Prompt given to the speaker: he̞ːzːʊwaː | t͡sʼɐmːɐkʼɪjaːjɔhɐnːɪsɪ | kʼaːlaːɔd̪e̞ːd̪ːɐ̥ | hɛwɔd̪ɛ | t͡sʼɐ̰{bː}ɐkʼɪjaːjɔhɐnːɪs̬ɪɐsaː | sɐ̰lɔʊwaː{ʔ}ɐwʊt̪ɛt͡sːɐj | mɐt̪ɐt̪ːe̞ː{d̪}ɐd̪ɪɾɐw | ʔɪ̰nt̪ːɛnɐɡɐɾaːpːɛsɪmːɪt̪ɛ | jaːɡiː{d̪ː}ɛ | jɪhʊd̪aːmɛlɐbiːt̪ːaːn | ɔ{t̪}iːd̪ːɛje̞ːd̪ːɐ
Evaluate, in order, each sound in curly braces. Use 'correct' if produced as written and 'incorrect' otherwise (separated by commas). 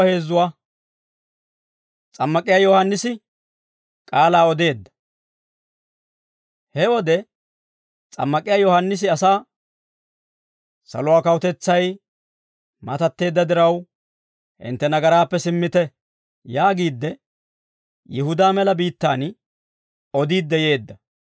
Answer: incorrect, incorrect, incorrect, correct, incorrect